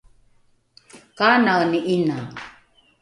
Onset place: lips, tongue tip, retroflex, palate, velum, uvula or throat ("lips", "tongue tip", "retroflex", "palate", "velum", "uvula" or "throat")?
velum